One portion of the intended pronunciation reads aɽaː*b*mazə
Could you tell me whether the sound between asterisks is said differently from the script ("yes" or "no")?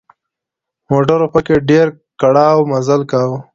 yes